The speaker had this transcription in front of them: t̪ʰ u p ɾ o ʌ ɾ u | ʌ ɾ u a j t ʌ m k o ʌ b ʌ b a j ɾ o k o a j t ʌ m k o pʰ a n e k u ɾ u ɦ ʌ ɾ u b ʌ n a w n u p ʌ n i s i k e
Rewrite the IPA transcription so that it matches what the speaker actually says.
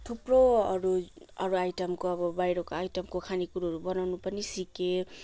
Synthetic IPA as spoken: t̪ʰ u p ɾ o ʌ ɾ u | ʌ ɾ u a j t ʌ m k o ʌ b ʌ b a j ɾ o k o a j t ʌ m k o kʰ a n i k u ɾ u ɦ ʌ ɾ u b ʌ n a w n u p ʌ n i s i k e